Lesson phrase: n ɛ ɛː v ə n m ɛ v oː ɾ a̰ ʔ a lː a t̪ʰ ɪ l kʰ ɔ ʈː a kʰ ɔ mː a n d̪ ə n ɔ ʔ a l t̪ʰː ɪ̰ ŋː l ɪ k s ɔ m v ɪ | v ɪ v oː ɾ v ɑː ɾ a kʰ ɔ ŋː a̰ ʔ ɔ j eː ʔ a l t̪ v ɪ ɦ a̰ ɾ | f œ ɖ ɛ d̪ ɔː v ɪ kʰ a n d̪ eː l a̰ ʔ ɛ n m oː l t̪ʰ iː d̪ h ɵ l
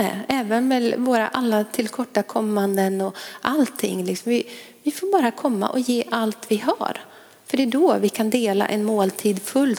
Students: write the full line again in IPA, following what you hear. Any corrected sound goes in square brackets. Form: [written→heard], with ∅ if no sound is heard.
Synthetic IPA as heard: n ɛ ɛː v ə n m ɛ v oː ɾ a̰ ʔ a lː a t̪ʰ ɪ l kʰ ɔ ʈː a kʰ ɔ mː a n d̪ ə n ɔ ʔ a l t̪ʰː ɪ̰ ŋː l ɪ k s ɔ m v ɪ | v ɪ [v→f] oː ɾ [v→b] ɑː ɾ a kʰ ɔ [ŋː→mː] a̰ ʔ ɔ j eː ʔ a l t̪ v ɪ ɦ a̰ ɾ | f œ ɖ ɛ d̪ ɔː v ɪ kʰ a n d̪ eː l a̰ ʔ ɛ n m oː l t̪ʰ iː d̪ [h→f] ɵ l